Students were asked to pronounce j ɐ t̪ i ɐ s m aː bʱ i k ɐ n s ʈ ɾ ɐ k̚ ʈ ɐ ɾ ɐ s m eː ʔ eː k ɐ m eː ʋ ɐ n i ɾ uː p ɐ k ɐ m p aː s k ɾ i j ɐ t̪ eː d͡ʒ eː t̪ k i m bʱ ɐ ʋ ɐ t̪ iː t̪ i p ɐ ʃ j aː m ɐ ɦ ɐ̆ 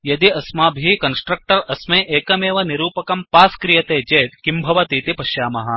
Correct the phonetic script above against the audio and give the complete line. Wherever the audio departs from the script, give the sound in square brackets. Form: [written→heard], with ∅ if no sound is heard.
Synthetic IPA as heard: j ɐ [t̪→d̪] i ɐ s m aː bʱ i k ɐ n s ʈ ɾ ɐ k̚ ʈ ɐ ɾ ɐ s m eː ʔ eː k ɐ m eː ʋ ɐ n i ɾ uː p ɐ k ɐ m p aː s k ɾ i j ɐ t̪ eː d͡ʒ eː t̪ k i m bʱ ɐ ʋ ɐ t̪ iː t̪ i p ɐ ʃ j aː m ɐ ɦ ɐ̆